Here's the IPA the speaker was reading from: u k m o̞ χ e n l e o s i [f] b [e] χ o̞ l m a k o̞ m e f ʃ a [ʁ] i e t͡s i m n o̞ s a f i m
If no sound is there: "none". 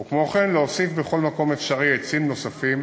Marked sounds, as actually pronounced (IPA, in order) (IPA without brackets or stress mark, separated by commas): f, e, ʁ